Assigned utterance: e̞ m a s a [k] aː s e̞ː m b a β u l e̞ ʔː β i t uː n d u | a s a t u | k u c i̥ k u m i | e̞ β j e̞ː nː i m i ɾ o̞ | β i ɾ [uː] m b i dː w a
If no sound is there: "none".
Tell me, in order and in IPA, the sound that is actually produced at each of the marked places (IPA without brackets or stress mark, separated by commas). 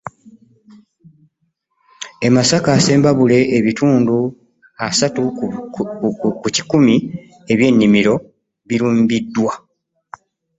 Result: k, uː